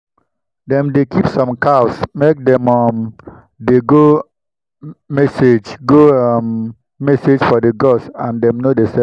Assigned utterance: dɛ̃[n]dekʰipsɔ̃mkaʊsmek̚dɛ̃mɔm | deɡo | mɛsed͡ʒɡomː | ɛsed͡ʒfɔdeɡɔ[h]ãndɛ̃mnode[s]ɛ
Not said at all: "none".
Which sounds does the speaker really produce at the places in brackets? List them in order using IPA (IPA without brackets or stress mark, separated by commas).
m, s, s